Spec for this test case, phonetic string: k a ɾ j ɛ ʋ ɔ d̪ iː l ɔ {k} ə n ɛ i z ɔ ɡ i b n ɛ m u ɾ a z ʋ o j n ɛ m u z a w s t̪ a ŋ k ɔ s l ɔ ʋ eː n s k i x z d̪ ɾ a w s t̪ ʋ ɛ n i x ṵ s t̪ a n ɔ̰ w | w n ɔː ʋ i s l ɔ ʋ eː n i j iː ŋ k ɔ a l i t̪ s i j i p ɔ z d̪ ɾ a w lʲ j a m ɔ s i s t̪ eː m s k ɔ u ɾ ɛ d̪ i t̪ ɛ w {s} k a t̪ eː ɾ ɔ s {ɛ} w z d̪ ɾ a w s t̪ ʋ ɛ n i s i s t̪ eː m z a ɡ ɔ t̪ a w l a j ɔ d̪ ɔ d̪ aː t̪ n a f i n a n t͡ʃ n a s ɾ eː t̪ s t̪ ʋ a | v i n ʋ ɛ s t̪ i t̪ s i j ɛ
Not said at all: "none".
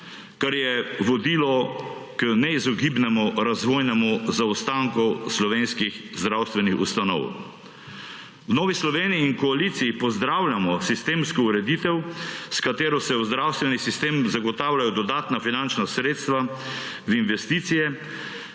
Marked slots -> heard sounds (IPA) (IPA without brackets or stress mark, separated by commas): k, s, ɛ